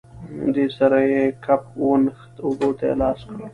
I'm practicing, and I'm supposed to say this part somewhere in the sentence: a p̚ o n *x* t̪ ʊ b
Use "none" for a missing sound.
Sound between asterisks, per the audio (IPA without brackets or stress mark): x